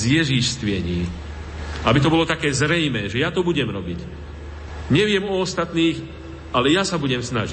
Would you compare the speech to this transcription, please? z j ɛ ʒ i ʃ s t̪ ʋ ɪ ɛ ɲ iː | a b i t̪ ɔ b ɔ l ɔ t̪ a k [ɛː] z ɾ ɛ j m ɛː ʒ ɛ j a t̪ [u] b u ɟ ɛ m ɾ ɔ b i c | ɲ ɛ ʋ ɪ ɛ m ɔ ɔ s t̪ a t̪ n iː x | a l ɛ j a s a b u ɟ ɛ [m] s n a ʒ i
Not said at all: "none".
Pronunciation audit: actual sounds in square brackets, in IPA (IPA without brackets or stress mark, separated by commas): ɛː, ɔ, m